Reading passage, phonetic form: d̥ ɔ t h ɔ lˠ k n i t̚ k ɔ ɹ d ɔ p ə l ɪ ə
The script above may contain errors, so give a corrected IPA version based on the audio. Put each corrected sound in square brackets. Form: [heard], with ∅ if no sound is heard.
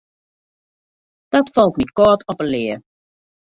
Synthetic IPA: d̥ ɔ t [f] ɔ lˠ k n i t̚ k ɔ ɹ [t] ɔ p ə l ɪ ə